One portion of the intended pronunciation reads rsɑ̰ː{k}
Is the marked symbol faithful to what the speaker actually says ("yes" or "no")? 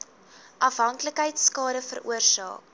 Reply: yes